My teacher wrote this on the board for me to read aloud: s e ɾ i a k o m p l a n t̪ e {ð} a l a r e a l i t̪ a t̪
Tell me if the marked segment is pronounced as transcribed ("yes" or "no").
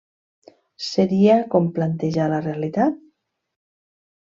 no